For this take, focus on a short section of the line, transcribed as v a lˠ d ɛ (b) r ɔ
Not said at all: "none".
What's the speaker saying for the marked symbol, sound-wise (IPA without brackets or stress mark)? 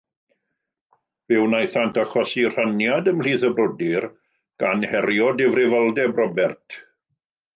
b